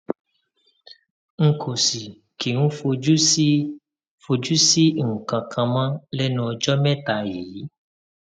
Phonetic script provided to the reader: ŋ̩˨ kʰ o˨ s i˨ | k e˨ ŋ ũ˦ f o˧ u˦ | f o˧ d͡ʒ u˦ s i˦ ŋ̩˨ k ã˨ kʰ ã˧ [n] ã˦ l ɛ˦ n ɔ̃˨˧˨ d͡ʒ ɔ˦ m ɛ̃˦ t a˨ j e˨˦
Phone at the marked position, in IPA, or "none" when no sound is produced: m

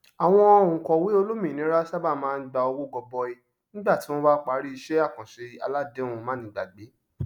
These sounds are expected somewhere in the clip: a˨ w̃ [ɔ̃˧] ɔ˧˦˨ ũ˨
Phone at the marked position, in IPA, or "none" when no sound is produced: ɔ̃˧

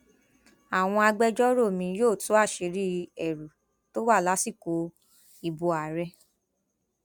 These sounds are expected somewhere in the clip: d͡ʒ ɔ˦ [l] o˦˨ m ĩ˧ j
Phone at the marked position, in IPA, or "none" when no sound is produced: ɾ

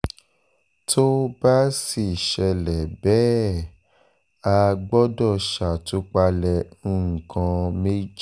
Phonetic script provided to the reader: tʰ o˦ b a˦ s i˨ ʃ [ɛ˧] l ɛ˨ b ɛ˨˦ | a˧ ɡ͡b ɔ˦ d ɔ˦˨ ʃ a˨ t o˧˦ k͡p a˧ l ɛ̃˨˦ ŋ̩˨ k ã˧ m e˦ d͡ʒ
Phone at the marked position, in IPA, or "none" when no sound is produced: ɛ˧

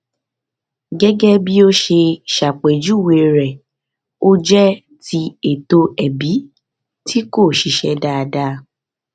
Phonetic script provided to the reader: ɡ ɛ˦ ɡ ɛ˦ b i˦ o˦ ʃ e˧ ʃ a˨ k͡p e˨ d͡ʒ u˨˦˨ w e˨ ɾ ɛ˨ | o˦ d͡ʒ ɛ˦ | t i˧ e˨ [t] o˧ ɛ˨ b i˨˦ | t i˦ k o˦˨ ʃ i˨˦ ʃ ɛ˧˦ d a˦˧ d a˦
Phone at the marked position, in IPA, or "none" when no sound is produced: t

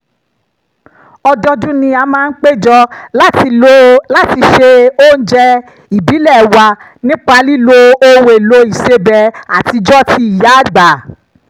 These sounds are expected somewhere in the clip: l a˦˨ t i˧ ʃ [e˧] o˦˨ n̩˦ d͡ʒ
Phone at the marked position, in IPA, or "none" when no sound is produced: e˧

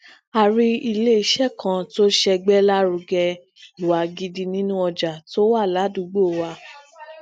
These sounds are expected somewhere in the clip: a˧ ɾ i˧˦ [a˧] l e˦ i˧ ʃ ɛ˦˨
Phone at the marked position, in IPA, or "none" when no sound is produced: i˧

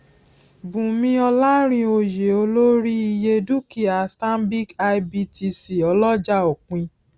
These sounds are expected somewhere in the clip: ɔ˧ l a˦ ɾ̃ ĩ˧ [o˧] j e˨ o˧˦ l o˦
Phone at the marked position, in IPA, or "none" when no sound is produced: o˧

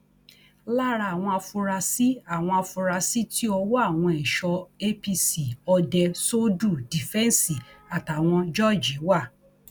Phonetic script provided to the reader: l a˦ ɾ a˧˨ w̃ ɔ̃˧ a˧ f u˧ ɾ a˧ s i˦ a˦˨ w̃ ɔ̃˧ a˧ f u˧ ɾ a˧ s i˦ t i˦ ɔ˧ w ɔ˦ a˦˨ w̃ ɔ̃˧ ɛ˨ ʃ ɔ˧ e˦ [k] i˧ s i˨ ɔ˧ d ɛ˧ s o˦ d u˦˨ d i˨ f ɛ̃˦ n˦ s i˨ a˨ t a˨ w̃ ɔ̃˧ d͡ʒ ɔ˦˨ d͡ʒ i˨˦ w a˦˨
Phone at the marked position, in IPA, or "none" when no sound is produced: p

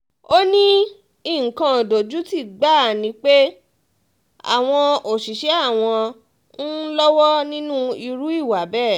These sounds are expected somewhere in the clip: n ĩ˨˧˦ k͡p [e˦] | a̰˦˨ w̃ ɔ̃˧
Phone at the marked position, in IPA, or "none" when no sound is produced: e˦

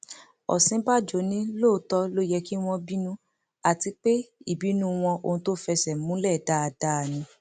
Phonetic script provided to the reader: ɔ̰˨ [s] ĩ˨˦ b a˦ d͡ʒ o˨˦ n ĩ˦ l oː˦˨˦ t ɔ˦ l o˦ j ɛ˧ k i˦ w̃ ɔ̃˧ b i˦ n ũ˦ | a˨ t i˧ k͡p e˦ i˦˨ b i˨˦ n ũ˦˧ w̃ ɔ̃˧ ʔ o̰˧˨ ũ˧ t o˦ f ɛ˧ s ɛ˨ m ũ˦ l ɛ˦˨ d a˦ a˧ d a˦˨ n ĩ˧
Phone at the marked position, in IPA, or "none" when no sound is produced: s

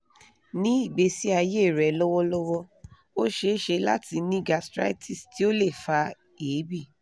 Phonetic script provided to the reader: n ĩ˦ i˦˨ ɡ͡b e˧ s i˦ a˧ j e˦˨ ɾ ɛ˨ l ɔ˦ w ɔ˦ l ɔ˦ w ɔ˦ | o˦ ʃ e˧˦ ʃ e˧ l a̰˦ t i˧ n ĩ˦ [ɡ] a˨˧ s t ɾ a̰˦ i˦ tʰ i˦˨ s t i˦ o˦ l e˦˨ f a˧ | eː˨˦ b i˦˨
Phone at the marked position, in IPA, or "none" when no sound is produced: ɡ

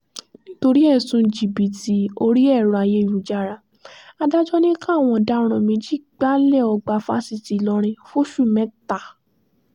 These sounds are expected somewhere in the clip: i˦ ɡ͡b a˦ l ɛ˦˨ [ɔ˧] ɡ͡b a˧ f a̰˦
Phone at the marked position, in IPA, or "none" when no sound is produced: ɔ˧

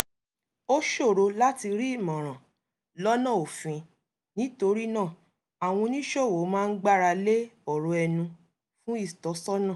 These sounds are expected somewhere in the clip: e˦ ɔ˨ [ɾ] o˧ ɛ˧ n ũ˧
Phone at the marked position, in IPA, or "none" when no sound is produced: ɾ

